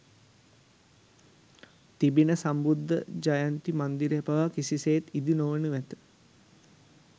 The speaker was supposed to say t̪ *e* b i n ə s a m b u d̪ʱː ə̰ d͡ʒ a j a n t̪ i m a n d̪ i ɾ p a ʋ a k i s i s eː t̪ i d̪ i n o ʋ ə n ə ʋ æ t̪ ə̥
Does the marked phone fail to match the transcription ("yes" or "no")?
yes